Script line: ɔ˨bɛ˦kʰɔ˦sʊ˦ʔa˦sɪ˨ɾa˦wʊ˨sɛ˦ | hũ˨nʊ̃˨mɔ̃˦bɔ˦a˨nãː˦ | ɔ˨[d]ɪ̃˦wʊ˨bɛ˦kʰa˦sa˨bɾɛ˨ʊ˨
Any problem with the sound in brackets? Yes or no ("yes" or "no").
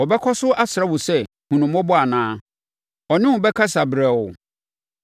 yes